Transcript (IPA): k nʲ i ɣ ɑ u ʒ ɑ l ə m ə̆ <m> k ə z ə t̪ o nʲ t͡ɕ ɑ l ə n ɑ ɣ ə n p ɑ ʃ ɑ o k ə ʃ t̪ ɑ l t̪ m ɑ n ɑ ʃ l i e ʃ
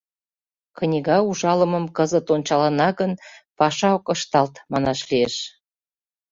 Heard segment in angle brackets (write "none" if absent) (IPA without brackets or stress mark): m